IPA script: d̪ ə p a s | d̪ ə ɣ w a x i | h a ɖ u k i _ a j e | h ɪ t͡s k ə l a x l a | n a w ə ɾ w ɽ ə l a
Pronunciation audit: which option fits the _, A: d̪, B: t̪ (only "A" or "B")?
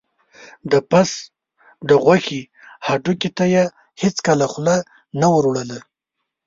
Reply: B